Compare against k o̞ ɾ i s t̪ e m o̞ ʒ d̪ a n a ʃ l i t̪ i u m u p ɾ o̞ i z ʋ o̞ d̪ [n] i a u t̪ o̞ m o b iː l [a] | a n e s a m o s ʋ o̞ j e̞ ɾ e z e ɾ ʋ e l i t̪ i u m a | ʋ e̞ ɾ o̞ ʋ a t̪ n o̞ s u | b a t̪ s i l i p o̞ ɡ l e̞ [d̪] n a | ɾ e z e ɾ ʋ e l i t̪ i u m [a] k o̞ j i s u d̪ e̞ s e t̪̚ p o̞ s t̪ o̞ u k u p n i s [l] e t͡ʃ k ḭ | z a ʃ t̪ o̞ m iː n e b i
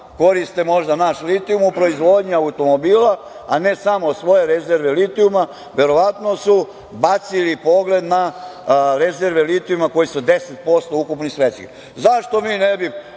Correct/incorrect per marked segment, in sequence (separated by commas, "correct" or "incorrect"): incorrect, correct, correct, correct, incorrect